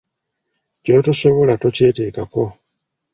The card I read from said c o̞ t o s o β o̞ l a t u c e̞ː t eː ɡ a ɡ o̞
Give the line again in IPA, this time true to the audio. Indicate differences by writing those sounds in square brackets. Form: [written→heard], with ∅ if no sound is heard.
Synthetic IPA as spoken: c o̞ t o s o β o̞ l a t [u→o] c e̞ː t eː [ɡ→k] a [ɡ→k] o̞